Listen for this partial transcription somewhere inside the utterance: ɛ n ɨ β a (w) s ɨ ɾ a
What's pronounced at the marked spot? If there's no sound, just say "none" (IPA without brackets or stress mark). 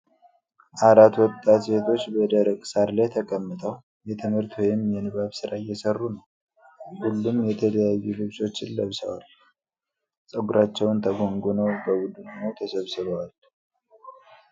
β